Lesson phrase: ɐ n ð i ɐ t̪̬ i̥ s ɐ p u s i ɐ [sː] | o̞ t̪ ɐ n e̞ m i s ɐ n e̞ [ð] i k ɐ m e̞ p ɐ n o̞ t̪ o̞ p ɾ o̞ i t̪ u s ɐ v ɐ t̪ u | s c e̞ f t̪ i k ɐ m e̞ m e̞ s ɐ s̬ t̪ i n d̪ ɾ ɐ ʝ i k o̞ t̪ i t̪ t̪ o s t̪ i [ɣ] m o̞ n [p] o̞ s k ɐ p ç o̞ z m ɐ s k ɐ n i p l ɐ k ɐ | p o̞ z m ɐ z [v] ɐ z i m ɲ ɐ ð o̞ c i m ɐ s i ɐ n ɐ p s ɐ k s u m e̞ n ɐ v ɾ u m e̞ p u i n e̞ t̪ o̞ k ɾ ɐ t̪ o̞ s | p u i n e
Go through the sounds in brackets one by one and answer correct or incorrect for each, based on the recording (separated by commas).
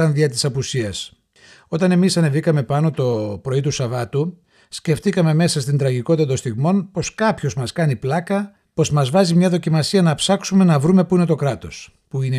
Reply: incorrect, incorrect, correct, correct, correct